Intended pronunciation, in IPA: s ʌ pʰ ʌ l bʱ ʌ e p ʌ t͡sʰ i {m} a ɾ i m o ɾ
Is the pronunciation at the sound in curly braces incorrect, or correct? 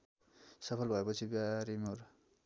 incorrect